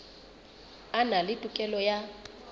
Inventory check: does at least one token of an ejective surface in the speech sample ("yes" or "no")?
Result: yes